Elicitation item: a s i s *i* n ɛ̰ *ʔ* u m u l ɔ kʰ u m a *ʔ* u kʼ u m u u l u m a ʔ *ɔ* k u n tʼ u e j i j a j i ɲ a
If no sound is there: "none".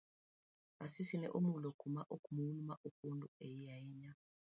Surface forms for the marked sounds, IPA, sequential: i, ʔ, ʔ, u

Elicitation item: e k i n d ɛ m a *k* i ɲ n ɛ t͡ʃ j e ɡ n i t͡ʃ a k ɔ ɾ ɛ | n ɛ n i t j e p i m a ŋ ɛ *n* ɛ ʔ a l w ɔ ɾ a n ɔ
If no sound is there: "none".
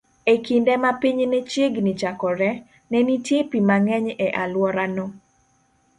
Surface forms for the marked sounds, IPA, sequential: p, ɲ

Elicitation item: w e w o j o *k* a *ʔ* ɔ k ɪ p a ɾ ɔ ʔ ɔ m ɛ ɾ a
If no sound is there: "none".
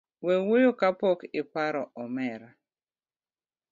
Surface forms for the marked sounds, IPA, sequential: k, p

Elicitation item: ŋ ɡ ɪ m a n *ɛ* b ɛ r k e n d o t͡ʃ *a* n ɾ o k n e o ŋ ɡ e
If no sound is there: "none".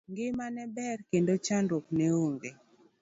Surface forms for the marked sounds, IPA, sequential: ɛ, a

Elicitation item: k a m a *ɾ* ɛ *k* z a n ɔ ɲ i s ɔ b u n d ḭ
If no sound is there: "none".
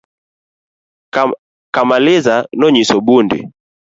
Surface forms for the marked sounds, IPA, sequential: l, none

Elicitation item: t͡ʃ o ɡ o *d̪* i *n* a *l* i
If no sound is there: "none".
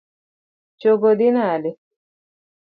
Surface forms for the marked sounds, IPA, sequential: d̪, n, l

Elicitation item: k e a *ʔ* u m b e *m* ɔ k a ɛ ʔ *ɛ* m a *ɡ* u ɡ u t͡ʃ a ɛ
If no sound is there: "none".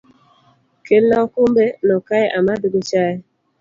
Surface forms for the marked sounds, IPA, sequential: k, n, a, d

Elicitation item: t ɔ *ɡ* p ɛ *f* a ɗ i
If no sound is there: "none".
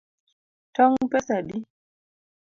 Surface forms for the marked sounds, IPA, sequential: ŋ, s

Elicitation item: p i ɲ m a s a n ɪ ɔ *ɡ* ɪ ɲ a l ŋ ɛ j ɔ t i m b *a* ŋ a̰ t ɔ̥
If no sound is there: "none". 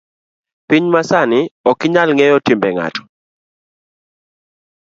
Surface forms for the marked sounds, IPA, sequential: k, ɛ

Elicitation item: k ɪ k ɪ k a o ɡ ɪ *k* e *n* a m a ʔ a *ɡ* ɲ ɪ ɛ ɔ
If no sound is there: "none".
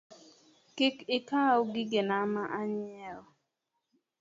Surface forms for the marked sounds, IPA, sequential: ɡ, n, none

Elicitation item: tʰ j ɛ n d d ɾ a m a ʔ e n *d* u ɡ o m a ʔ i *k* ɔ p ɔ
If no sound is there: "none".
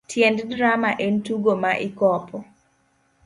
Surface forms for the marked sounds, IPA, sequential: t, k

